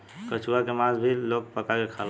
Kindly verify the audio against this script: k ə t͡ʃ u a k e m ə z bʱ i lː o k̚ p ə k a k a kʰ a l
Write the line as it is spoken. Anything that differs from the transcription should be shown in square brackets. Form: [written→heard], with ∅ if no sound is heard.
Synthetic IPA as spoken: k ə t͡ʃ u a k e m [ə→a] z bʱ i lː o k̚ p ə k a k [a→e] kʰ a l